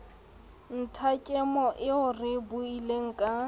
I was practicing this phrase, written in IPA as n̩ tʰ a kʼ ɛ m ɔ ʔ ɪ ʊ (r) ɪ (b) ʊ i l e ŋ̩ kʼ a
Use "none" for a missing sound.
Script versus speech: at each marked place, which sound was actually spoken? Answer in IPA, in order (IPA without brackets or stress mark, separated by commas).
r, b